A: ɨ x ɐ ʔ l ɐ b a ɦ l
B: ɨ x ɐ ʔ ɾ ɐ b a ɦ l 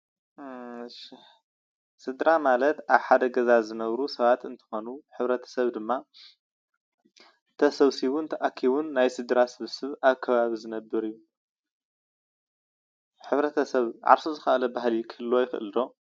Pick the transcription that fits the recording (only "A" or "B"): A